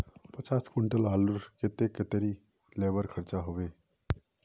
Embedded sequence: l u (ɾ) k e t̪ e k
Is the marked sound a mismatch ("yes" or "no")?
no